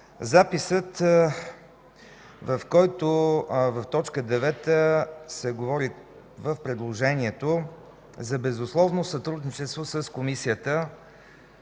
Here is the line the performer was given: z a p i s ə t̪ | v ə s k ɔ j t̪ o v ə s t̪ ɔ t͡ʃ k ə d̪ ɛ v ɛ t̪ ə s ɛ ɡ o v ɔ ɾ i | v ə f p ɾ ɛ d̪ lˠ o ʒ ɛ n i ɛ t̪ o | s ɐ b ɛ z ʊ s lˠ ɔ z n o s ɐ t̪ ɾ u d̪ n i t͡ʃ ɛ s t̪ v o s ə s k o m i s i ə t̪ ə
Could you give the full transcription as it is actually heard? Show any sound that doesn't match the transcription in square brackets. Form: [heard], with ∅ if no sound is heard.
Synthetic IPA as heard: z a p i s ə t̪ | v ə [f] k ɔ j t̪ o v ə [f] t̪ ɔ t͡ʃ k ə d̪ ɛ v ɛ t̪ ə s ɛ ɡ o v ɔ ɾ i | v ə f p ɾ ɛ d̪ lˠ o ʒ ɛ n i ɛ t̪ o | [z] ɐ b ɛ z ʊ s lˠ ɔ [v] n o s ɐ t̪ ɾ u d̪ n i t͡ʃ ɛ s t̪ v o s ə s k o m i s i ə t̪ ə